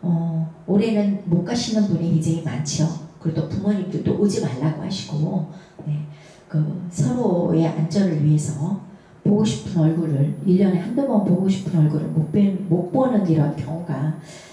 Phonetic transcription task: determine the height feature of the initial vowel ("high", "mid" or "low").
mid